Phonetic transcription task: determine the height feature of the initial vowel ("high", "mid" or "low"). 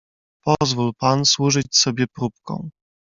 mid